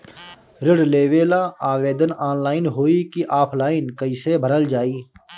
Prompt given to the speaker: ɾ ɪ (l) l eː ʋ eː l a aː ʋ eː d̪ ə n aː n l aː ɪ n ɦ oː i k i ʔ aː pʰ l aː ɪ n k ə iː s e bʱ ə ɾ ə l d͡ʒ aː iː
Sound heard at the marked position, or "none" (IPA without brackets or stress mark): ɽ